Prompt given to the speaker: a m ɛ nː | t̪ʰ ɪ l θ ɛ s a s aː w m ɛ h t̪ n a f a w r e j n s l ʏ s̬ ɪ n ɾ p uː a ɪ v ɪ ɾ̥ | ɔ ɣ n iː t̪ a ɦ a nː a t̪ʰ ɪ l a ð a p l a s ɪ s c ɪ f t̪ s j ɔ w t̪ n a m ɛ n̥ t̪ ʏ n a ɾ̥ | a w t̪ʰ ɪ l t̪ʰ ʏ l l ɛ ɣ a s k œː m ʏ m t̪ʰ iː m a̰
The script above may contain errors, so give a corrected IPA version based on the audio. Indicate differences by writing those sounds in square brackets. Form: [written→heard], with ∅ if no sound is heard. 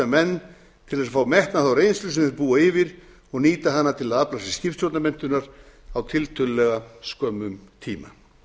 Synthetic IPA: a m ɛ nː | t̪ʰ ɪ l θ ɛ s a [s→f] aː w m ɛ h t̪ n a [f→θ] a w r e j n s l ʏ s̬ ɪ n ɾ p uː a ɪ v ɪ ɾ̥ | ɔ ɣ n iː t̪ a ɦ a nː a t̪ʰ ɪ l a ð a p l a s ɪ s c ɪ f t̪ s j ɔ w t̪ n a m ɛ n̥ t̪ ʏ n a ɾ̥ | a w t̪ʰ ɪ l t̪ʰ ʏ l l ɛ ɣ a s k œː m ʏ m t̪ʰ iː m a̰